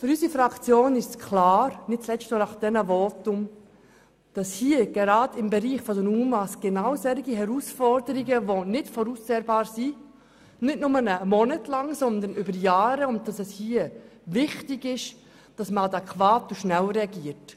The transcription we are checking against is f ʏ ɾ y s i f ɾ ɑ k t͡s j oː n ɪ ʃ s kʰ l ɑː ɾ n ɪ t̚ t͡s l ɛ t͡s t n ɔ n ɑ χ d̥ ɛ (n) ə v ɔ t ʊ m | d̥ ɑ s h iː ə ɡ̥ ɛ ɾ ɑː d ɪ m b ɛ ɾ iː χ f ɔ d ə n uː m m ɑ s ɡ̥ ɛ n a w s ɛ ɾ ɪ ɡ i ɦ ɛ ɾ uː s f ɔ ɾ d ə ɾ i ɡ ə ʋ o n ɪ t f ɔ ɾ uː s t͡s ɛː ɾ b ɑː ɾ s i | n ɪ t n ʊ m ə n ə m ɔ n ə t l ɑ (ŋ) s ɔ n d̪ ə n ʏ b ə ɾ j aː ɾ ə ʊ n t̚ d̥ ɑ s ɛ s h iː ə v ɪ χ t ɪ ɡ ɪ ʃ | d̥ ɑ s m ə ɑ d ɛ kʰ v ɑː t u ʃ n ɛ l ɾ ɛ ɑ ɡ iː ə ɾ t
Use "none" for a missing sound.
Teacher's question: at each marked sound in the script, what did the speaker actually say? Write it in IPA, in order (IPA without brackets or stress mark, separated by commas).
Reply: n, ŋ